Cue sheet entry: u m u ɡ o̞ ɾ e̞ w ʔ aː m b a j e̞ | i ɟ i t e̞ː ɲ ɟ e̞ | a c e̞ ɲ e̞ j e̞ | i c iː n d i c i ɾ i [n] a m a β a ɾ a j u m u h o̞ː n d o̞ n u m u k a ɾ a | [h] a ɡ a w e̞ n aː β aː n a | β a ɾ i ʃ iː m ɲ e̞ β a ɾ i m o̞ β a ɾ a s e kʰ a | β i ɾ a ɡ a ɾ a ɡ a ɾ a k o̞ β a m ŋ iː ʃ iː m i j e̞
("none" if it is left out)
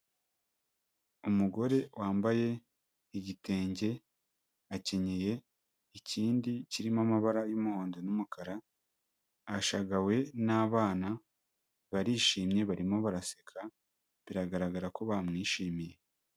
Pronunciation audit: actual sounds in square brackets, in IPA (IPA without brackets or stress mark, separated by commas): m, ʃ